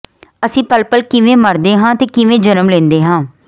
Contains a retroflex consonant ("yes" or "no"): no